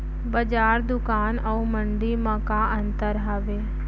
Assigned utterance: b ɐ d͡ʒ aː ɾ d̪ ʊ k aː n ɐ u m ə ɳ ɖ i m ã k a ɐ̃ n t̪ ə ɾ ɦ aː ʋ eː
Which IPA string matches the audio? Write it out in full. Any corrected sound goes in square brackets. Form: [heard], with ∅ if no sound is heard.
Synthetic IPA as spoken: b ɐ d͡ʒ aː ɾ d̪ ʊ k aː n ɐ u m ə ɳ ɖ i m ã k a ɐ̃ n t̪ ə ɾ ɦ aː ʋ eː

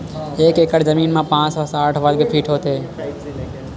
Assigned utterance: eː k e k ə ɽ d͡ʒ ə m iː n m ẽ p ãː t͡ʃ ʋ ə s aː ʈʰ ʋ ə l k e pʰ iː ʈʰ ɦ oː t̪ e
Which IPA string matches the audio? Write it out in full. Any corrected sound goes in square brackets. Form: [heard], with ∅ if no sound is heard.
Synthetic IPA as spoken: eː k e k ə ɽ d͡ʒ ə m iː n m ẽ p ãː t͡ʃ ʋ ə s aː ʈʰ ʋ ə l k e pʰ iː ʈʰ ɦ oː t̪ e

